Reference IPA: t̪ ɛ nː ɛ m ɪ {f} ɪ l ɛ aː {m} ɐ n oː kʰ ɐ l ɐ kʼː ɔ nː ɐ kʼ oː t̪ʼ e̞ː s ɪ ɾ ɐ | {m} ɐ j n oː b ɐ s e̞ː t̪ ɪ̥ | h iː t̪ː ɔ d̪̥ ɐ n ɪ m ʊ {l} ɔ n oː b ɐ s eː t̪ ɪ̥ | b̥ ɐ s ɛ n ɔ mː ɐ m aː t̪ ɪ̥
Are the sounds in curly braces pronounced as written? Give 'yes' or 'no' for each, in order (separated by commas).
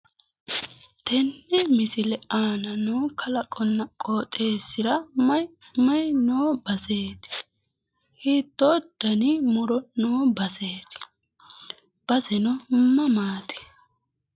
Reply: no, no, yes, no